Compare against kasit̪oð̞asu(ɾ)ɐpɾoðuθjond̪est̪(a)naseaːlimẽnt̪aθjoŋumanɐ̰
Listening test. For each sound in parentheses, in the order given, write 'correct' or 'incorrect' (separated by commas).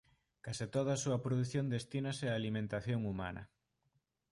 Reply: incorrect, incorrect